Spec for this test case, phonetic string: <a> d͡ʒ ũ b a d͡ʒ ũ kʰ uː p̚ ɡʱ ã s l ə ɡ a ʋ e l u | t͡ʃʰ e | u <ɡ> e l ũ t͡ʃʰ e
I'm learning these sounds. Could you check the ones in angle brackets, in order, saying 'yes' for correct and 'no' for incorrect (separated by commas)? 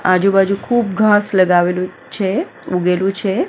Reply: yes, yes